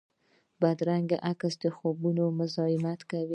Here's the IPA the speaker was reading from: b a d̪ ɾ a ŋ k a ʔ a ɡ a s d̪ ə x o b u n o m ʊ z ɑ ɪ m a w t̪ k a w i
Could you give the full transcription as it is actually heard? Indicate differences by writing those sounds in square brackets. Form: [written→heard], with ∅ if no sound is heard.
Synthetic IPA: b a d̪ ɾ a ŋ [k→ɡ] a ʔ a [ɡ→k] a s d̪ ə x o b u n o m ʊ z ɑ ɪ m a [w→∅] t̪ k a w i